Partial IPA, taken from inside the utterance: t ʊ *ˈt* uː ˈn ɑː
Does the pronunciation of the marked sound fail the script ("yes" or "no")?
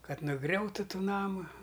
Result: no